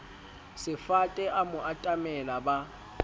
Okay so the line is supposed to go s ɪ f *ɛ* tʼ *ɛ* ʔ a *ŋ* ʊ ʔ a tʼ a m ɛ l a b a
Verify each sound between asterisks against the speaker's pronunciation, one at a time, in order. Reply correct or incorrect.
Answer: incorrect: a, correct, incorrect: m

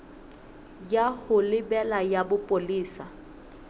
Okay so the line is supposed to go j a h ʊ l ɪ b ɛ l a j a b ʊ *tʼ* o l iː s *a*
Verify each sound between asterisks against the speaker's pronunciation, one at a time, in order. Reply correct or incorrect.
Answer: incorrect: pʼ, correct

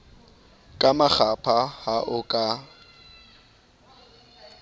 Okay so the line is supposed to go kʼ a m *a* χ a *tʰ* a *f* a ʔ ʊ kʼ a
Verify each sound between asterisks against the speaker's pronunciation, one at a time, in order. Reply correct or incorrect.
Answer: correct, incorrect: pʰ, incorrect: h

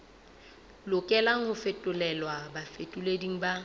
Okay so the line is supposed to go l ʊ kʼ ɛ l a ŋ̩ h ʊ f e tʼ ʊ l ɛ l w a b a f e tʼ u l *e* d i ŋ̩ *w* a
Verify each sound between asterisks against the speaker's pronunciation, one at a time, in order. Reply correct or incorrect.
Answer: correct, incorrect: b

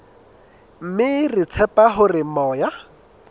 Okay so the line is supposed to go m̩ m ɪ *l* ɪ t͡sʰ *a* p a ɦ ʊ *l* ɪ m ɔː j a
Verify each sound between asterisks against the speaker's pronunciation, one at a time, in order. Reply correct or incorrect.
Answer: incorrect: r, incorrect: ɛ, incorrect: r

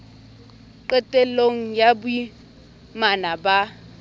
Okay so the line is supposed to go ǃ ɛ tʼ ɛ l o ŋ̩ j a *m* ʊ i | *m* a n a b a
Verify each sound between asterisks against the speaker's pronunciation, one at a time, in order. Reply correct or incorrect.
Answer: incorrect: b, correct

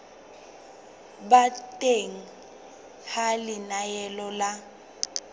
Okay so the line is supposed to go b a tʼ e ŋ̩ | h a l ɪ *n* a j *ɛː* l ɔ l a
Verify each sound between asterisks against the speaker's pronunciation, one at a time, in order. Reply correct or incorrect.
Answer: correct, incorrect: ɛ

